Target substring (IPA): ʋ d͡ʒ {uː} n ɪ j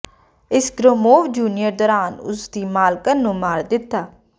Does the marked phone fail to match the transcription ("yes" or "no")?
no